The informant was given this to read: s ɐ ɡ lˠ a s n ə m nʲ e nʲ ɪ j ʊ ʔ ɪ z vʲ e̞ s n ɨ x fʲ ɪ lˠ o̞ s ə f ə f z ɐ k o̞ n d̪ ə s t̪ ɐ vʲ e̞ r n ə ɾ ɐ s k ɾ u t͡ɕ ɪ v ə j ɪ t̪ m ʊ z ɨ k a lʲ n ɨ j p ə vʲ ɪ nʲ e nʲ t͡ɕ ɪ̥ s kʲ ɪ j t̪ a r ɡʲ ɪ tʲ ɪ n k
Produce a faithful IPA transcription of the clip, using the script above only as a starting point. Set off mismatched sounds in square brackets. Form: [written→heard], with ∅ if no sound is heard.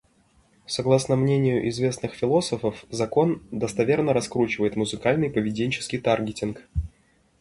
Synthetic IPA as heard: s ɐ ɡ lˠ a s n ə m nʲ e nʲ ɪ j ʊ ʔ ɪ z vʲ e̞ s n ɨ x fʲ ɪ lˠ o̞ s ə f ə f z ɐ k o̞ n d̪ ə s t̪ ɐ vʲ e̞ r n ə ɾ ɐ s k ɾ u t͡ɕ ɪ v ə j ɪ t̪ m ʊ z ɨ k a lʲ n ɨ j p ə vʲ ɪ [nʲ→dʲ] e nʲ t͡ɕ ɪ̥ s kʲ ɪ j t̪ a r ɡʲ ɪ tʲ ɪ n k